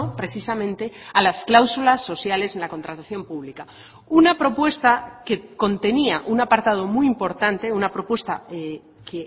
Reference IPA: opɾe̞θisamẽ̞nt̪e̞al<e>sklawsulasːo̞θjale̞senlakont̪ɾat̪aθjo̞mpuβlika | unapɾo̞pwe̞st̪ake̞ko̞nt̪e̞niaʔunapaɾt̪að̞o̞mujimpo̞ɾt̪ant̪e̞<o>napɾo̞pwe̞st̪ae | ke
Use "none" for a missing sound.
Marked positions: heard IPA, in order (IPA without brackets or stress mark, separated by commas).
a, u